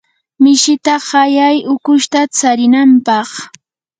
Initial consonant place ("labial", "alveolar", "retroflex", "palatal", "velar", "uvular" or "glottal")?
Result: labial